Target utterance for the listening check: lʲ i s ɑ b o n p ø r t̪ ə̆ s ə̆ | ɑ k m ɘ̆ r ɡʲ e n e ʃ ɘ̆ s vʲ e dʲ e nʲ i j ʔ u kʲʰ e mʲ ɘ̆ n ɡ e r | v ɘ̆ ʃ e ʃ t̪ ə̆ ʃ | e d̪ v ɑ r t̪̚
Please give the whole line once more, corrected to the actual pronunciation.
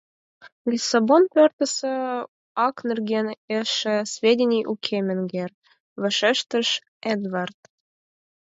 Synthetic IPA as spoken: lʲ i s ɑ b o n p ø r t̪ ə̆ s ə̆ | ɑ k n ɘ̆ r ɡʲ e n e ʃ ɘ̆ s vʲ e dʲ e nʲ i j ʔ u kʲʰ e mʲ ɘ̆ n ɡ e r | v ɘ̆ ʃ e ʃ t̪ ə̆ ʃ | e d̪ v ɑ r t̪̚